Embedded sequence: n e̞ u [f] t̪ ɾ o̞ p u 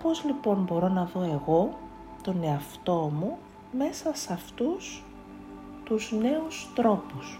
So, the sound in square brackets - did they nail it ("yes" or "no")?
no